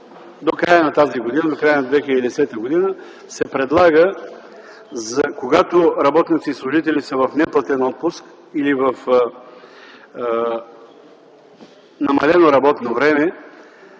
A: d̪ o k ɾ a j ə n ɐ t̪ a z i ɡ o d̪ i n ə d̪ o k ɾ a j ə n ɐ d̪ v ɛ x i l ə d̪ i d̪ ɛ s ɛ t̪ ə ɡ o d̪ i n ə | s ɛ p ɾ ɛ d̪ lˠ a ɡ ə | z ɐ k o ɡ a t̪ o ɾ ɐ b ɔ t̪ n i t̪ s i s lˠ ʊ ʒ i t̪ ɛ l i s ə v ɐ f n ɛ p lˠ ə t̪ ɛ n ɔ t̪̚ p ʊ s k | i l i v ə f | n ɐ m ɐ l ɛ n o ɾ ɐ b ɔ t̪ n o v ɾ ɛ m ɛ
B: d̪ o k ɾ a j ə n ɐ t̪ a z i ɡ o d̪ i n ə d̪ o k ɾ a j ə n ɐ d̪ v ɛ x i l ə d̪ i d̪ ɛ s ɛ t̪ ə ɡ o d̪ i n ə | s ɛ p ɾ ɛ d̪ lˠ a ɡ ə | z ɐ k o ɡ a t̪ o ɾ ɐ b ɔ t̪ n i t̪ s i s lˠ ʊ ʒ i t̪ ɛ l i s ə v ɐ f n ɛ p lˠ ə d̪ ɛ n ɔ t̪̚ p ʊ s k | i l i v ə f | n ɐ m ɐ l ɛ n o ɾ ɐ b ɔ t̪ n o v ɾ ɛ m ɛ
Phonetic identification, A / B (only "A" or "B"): A